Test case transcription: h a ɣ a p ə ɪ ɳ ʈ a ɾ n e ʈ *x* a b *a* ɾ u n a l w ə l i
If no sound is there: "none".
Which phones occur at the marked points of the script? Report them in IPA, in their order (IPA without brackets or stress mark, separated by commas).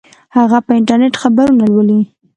x, a